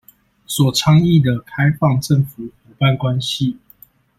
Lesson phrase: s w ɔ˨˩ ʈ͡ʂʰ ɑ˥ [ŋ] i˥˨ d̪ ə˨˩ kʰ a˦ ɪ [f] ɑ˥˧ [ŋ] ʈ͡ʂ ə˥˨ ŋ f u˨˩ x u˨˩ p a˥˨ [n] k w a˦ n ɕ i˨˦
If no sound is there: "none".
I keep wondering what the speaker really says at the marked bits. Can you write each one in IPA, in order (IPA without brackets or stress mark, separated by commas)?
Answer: ŋ, f, ŋ, n